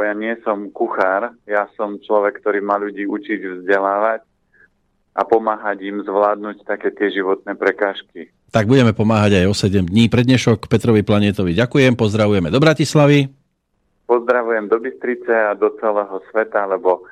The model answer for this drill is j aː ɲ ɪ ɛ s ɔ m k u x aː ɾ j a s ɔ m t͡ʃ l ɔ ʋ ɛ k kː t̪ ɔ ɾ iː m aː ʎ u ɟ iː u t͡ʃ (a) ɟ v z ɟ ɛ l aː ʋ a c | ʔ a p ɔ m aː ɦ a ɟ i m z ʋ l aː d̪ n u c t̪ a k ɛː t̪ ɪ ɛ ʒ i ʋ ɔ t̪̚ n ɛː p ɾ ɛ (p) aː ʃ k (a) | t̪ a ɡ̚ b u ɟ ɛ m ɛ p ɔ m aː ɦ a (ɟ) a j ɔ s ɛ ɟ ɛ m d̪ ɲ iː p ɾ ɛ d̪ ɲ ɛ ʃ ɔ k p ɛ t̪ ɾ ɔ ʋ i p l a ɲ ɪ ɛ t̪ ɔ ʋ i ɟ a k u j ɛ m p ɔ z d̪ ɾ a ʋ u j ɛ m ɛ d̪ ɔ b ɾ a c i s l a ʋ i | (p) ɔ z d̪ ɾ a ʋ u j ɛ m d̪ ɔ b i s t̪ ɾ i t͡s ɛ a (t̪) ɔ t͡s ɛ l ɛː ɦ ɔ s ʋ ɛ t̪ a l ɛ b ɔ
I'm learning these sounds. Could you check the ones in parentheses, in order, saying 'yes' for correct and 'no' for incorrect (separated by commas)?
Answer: no, no, no, yes, yes, no